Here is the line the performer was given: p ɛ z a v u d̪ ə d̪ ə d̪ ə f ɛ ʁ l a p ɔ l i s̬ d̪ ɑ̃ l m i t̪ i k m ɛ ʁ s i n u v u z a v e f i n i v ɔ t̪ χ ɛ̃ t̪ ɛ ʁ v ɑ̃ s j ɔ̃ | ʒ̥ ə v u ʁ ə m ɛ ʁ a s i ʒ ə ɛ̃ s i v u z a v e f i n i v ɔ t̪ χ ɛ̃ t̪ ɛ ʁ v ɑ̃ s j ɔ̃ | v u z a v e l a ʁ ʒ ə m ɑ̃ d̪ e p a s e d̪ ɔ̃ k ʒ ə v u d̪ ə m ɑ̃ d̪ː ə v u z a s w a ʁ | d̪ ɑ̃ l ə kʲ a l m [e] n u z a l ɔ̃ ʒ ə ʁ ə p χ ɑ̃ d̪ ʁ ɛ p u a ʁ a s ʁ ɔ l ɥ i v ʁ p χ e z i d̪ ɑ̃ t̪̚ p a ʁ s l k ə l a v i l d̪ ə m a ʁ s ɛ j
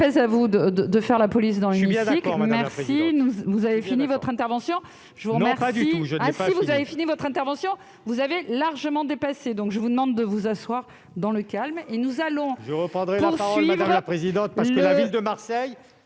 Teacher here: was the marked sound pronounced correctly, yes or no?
yes